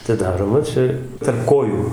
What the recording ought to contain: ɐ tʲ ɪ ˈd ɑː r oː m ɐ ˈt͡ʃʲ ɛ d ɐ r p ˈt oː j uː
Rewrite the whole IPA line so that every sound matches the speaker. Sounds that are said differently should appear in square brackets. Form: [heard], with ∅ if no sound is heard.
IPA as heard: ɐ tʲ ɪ ˈd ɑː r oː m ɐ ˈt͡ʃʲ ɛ [t] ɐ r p [ˈk] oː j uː

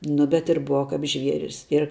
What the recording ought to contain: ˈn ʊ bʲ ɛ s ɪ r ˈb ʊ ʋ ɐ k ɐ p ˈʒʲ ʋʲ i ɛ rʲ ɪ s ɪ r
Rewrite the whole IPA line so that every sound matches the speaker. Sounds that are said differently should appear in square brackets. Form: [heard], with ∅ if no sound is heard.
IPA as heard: ˈn ʊ bʲ ɛ [t] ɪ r ˈb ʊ ʋ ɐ k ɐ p ˈʒʲ ʋʲ i ɛ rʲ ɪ s ɪ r

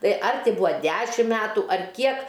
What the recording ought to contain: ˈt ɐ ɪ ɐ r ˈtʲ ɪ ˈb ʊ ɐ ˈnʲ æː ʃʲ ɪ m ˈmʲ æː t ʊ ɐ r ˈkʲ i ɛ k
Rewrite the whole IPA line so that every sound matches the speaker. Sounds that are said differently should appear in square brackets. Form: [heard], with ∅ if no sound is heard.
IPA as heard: ˈt ɐ ɪ ɐ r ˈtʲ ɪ ˈb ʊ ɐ [ˈdʲ] æː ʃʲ ɪ m ˈmʲ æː t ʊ ɐ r ˈkʲ i ɛ k

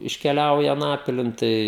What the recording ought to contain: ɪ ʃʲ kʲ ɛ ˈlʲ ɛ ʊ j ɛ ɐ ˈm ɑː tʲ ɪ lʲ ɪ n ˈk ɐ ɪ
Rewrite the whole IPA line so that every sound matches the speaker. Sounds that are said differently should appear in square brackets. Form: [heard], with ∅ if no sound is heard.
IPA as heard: ɪ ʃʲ kʲ ɛ ˈlʲ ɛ ʊ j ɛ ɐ [ˈn] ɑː [pʲ] ɪ lʲ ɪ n [ˈt] ɐ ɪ

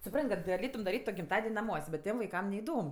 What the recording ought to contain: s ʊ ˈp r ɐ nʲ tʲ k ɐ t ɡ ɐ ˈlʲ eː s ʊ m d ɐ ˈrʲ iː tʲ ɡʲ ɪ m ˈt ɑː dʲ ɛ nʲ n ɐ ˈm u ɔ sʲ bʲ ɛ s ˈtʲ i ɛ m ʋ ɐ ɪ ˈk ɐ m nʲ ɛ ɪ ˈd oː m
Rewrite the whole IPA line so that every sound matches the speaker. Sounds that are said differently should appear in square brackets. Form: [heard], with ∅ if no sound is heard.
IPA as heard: s ʊ ˈp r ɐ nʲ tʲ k ɐ t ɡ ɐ ˈlʲ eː [t] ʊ m d ɐ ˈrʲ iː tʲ ɡʲ ɪ m ˈt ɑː dʲ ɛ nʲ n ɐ ˈm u ɔ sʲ bʲ ɛ [t] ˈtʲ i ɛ m ʋ ɐ ɪ ˈk ɐ m nʲ ɛ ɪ ˈd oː m

